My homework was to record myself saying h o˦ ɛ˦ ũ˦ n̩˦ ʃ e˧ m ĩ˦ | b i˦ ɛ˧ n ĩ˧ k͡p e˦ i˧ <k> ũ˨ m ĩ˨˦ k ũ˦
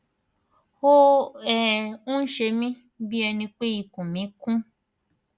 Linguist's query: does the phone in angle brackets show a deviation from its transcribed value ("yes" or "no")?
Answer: no